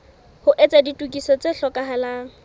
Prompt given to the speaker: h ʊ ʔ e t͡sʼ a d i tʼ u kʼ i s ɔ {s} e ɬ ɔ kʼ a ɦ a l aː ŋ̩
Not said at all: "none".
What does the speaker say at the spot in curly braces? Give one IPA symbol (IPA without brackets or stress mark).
t͡s